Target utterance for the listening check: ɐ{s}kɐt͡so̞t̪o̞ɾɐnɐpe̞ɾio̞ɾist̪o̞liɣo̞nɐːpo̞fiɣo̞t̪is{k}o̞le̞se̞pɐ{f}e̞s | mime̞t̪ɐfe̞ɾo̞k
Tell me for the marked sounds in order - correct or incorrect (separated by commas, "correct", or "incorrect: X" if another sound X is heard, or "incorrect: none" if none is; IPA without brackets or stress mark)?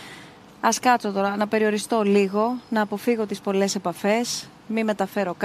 correct, incorrect: p, correct